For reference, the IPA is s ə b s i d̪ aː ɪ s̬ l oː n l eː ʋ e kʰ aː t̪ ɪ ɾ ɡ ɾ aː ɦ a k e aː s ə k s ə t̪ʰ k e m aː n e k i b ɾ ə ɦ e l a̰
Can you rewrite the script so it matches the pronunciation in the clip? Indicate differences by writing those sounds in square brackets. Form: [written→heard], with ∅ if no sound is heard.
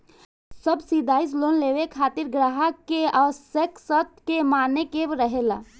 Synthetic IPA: s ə b s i d̪ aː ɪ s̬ l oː n l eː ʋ e kʰ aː t̪ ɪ ɾ ɡ ɾ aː ɦ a k e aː s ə k s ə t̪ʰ k e m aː n e k [i→e] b ɾ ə ɦ e l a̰